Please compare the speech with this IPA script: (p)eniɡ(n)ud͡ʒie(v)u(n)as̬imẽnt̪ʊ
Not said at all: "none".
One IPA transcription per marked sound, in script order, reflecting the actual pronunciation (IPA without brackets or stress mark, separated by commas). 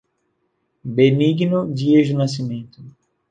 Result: b, n, ʒ, n